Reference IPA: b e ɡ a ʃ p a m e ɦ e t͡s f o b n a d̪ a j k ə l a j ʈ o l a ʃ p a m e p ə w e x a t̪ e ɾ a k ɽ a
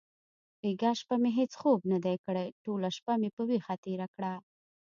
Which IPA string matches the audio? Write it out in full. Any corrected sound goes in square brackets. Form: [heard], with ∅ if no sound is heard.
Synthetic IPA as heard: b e ɡ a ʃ p a m e ɦ e t͡s [x] o b n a d̪ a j k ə [ɽ] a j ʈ o l a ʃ p a m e p ə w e x a t̪ e ɾ a k ɽ a